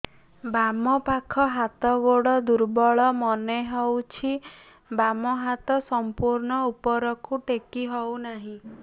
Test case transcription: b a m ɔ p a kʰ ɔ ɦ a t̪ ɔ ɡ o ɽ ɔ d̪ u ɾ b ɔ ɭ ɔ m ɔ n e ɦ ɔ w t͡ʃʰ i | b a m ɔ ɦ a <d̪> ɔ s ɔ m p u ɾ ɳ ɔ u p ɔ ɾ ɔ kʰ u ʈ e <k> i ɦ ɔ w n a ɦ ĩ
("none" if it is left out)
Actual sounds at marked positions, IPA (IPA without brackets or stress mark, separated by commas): t̪, k